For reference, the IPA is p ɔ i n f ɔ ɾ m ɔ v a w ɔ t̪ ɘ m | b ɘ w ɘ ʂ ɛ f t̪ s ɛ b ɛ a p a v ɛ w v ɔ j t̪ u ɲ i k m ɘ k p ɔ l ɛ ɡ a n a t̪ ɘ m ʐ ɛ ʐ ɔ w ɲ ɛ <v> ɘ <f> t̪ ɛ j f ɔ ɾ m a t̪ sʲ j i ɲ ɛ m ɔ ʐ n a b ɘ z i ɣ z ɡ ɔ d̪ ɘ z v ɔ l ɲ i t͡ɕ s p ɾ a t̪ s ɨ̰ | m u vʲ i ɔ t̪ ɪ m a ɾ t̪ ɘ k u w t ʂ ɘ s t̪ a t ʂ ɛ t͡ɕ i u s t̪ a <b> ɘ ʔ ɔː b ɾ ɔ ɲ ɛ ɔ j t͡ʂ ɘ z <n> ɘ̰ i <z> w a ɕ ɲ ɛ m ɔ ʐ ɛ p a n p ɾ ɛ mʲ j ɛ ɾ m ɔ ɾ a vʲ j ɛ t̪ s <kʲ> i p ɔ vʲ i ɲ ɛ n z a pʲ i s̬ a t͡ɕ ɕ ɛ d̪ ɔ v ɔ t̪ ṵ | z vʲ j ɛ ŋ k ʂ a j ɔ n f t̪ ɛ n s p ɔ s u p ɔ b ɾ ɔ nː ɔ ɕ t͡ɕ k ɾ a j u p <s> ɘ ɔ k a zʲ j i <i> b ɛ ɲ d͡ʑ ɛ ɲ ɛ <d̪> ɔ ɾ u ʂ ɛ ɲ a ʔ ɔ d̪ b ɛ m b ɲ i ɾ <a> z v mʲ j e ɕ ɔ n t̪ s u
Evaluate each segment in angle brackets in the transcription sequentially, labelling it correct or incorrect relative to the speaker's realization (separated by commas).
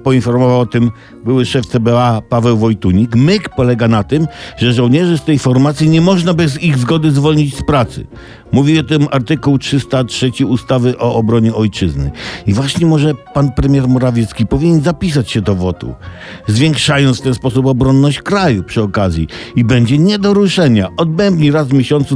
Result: incorrect, incorrect, incorrect, correct, incorrect, correct, incorrect, correct, correct, correct